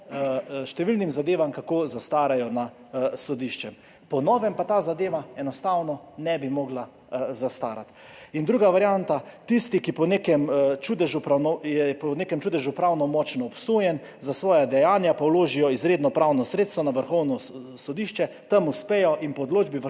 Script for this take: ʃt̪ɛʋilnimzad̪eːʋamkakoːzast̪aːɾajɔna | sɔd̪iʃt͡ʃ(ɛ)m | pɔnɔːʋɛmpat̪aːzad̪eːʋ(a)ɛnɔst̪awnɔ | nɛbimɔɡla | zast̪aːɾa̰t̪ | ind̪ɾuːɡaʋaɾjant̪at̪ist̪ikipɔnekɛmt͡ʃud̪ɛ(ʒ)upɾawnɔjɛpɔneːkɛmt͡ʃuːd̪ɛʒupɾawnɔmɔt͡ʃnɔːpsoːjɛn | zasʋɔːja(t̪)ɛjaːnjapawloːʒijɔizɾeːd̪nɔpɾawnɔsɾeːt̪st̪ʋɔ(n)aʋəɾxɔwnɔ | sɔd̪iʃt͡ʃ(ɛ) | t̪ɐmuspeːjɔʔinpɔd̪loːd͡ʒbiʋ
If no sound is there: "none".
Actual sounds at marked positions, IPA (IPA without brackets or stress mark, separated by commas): ɛ, a, ʒ, d̪, n, ɛ